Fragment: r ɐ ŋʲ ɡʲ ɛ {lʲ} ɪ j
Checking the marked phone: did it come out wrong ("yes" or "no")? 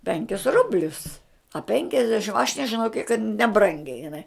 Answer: yes